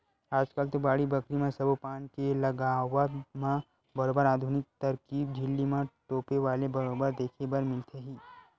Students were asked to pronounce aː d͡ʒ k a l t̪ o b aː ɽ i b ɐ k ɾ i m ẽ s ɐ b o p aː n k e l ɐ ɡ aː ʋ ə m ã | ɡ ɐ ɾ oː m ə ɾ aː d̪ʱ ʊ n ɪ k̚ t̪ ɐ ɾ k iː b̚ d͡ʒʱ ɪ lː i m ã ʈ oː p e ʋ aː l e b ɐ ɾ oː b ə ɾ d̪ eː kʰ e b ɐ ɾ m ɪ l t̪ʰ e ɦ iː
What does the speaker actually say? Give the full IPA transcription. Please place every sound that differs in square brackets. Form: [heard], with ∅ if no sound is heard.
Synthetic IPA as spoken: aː d͡ʒ k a l t̪ o b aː ɽ i b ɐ k ɾ i m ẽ s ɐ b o p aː n k e l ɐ ɡ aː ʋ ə m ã | [b] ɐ ɾ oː [b] ə ɾ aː d̪ʱ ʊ n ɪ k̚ t̪ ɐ ɾ k iː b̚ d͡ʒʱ ɪ lː i m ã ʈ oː p e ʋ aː l e b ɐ ɾ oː b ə ɾ d̪ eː kʰ e b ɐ ɾ m ɪ l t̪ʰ e ɦ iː